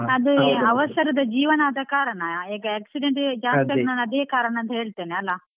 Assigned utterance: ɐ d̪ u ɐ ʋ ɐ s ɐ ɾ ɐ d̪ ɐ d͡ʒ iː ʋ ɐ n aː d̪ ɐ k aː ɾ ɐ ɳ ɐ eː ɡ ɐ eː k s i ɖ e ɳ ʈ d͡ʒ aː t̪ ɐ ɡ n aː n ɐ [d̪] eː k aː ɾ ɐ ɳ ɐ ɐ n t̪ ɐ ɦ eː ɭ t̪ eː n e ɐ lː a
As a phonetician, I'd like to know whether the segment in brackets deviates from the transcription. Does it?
no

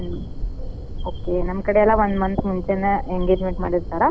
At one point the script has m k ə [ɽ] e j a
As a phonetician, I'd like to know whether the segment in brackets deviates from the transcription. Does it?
no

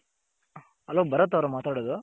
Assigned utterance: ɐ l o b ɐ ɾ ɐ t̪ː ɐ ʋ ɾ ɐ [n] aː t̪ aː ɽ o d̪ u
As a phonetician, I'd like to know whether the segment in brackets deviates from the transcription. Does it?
yes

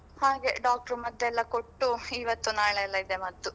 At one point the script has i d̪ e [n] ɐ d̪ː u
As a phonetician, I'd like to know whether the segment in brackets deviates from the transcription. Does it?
yes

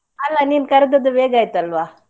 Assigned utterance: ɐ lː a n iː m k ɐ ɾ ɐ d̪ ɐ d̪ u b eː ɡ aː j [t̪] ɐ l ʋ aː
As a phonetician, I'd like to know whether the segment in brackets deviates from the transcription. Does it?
no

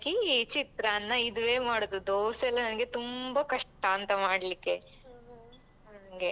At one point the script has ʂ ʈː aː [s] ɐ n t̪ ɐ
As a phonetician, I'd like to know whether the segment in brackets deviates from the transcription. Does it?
yes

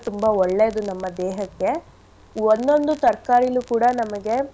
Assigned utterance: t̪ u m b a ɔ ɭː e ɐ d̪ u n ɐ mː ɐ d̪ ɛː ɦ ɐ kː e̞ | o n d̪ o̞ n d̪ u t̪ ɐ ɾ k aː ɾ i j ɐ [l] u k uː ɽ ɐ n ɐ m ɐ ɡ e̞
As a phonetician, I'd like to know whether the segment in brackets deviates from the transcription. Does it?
no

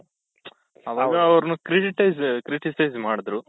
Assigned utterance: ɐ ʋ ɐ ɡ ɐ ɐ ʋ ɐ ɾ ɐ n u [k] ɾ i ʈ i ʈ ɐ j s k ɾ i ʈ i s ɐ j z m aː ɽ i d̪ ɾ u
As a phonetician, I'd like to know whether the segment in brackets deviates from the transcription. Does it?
no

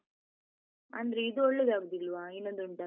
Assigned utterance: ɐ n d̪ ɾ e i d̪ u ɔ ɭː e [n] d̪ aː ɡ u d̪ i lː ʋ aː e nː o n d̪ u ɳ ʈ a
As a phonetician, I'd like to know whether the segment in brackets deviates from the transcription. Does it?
yes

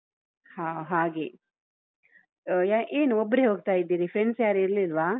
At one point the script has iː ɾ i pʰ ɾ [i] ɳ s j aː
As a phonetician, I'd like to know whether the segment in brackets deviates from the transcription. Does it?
yes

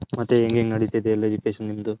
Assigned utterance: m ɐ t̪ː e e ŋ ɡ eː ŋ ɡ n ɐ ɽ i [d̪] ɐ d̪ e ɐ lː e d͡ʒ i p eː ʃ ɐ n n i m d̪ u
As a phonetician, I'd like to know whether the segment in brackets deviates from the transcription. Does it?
yes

